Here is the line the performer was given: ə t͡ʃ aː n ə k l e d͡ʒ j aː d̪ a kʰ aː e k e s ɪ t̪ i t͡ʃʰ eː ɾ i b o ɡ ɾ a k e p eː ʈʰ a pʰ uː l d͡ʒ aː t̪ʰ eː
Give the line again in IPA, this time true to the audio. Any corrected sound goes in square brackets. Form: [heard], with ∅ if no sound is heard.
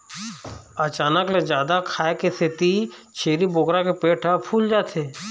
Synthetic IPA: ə t͡ʃ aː n ə k l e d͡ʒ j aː d̪ a kʰ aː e k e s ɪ t̪ i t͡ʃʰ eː ɾ i b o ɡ ɾ a k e p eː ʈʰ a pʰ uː l d͡ʒ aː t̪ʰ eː